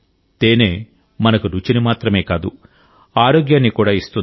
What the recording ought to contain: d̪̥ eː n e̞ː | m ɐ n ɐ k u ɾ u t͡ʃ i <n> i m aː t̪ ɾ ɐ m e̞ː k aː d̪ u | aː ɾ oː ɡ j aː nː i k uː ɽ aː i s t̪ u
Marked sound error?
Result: no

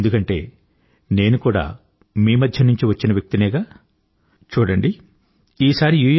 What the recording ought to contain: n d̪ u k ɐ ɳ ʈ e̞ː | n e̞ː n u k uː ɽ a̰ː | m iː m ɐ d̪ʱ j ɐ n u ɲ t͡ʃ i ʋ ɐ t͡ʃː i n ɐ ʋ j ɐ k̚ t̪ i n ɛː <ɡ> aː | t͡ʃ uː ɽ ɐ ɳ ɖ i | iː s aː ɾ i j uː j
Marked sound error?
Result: no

